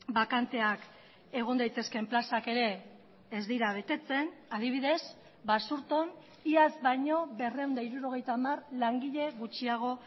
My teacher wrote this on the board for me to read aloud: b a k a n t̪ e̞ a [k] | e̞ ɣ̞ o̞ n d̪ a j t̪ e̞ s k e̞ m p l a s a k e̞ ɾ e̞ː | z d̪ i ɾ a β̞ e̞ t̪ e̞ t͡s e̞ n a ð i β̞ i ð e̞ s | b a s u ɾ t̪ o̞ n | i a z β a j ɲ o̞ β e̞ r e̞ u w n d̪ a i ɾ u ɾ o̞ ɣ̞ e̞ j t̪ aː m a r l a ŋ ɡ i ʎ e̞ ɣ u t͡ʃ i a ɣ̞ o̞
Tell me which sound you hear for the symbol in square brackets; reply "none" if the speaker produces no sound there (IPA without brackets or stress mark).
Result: k